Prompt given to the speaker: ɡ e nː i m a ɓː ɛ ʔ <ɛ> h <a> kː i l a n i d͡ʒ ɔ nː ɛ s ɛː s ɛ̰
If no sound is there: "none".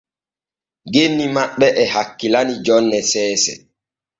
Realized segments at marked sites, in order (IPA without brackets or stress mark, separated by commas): ɛ, a